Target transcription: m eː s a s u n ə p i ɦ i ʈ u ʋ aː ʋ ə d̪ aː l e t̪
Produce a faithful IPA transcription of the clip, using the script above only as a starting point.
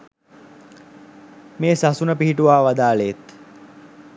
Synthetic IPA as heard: m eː s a s u n ə p i ɦ i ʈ u ʋ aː ʋ a d̪ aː l e t̪